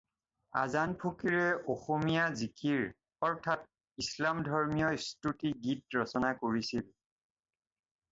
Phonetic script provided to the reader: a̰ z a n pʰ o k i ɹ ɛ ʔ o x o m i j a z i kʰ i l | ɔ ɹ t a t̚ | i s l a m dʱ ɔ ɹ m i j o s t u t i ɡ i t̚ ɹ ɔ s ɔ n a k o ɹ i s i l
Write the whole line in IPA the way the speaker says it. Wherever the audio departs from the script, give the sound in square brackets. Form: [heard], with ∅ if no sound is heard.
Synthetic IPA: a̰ z a n pʰ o k i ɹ ɛ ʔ o x o m i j a z i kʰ i [ɹ] | ɔ ɹ [tʰ] a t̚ | i s l a m dʱ ɔ ɹ m i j [ɔ] s t u t i ɡ i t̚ ɹ ɔ s ɔ n a k o ɹ i s i l